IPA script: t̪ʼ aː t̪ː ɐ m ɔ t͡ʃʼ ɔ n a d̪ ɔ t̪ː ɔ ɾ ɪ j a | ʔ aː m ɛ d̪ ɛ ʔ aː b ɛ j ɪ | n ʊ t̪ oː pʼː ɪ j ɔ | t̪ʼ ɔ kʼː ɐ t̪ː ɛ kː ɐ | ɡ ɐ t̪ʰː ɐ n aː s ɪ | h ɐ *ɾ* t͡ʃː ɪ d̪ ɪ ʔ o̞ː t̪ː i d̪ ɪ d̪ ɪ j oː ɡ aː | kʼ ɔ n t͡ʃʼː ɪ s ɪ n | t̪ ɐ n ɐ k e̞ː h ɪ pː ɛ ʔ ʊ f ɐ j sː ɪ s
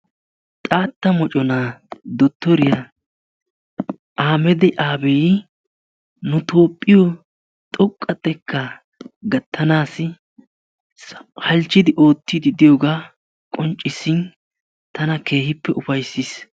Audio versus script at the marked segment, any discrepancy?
yes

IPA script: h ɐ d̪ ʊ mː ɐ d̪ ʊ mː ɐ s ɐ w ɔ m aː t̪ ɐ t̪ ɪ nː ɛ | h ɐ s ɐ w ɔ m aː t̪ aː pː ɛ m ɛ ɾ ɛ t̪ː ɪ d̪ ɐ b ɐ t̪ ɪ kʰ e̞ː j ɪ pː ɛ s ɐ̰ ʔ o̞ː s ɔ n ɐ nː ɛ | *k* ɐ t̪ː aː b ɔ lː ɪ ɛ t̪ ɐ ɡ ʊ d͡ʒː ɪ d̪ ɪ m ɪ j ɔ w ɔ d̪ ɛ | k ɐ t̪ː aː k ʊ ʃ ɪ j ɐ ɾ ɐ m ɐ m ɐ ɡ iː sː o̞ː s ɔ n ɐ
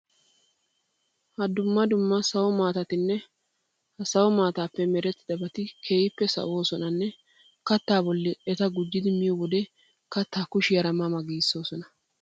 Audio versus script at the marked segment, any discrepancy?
no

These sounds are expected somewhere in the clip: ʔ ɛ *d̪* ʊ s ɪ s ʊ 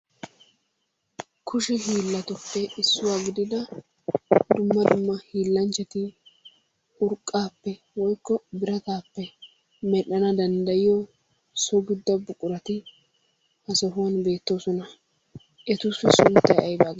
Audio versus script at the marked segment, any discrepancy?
yes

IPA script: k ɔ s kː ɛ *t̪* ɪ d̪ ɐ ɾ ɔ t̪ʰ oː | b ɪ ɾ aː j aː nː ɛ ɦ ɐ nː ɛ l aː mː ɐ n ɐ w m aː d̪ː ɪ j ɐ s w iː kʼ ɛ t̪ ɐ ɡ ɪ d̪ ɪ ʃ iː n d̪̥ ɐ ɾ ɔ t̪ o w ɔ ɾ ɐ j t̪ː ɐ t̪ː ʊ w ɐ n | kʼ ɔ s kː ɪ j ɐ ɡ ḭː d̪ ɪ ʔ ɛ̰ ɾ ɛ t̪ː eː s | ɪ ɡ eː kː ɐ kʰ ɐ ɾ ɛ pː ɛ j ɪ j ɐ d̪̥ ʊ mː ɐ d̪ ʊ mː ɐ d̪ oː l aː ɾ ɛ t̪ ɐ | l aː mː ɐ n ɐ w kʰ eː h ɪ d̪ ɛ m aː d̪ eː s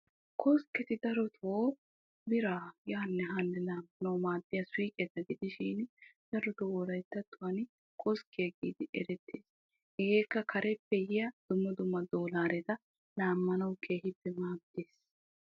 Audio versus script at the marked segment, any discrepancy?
no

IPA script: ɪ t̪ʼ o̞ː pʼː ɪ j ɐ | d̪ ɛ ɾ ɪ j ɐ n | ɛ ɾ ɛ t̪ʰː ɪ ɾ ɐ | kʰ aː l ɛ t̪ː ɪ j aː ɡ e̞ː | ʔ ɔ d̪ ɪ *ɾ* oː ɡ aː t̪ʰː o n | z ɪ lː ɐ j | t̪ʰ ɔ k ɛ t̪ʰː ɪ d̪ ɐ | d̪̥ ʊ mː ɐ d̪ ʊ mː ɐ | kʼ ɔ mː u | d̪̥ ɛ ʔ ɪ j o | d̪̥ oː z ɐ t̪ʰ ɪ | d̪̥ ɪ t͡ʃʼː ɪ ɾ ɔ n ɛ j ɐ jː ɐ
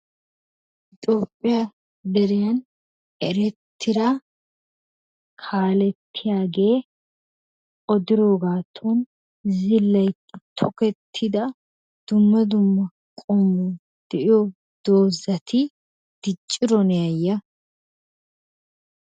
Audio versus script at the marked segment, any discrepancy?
no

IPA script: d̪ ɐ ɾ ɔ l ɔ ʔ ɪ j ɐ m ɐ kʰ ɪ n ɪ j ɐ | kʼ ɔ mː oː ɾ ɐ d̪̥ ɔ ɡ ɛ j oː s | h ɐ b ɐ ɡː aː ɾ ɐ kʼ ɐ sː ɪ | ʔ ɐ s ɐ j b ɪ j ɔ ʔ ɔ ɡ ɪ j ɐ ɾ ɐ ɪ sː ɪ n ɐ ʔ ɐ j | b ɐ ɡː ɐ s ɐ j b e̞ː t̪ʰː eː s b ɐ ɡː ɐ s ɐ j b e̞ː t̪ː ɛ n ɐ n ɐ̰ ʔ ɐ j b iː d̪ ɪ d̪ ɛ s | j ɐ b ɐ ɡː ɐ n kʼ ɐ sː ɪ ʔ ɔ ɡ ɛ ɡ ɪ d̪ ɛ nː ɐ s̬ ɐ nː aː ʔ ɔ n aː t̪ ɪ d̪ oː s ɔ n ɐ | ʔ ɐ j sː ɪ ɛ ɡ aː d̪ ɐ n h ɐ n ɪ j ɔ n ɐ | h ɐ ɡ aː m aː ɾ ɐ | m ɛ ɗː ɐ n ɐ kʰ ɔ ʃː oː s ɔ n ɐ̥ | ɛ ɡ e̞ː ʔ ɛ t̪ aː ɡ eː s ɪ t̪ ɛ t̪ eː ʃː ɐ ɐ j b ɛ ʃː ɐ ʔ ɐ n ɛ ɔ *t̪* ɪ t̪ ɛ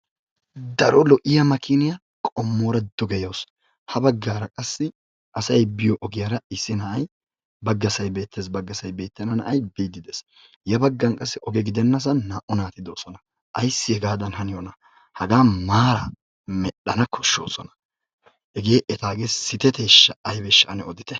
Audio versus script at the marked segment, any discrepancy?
yes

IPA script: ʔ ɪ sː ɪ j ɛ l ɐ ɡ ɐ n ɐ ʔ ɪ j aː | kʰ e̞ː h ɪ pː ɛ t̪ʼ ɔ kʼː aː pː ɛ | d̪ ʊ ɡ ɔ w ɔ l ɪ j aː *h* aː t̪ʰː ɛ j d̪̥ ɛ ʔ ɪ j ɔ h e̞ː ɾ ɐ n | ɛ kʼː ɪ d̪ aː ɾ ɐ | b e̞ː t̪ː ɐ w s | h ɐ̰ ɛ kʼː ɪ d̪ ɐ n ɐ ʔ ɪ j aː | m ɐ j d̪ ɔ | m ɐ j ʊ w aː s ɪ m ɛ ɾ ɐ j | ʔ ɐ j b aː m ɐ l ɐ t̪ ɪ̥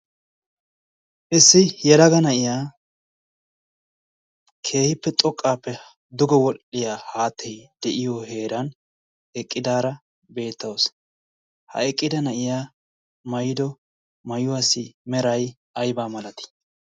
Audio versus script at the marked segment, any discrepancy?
no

